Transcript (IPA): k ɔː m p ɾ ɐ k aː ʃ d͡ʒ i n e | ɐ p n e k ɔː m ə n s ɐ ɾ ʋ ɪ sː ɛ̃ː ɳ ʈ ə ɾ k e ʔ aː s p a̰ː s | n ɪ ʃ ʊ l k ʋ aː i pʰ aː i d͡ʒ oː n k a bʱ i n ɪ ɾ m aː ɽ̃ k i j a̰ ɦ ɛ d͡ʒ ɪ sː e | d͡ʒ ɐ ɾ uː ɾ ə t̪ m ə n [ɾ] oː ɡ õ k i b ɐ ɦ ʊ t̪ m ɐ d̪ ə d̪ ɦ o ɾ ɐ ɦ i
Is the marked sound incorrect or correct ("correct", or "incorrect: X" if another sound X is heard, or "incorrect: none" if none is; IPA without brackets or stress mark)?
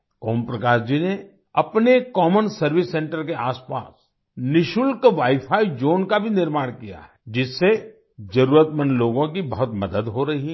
incorrect: l